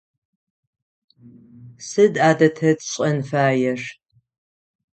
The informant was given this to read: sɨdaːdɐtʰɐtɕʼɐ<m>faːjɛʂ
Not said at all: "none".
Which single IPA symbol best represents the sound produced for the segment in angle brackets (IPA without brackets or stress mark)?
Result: n